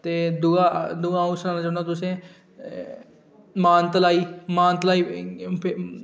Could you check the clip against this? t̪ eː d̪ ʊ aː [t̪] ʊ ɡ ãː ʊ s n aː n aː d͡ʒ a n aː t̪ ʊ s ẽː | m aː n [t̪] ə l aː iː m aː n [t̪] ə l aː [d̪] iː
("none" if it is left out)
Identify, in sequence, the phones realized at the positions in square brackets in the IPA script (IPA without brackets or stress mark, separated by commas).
d̪, t̪, t̪, none